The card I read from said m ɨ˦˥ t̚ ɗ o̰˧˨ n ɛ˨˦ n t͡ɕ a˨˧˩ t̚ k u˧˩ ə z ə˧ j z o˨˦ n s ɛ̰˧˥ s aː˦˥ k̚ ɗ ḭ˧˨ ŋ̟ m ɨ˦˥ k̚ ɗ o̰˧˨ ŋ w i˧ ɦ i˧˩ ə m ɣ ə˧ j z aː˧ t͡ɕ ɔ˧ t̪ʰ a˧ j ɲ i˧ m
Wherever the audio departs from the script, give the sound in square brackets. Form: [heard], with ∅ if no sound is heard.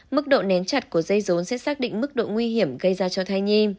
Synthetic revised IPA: m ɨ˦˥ [k̚] ɗ o̰˧˨ n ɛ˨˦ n t͡ɕ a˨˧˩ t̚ k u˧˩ ə z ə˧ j z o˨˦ n s ɛ̰˧˥ s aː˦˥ k̚ ɗ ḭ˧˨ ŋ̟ m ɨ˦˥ k̚ ɗ o̰˧˨ ŋ w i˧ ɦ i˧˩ ə m ɣ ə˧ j z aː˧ t͡ɕ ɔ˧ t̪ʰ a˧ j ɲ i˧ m